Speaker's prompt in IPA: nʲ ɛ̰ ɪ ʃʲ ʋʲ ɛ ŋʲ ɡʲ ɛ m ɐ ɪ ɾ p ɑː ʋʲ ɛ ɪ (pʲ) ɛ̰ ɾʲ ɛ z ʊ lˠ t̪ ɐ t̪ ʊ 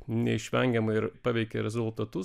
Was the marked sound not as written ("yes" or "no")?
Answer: yes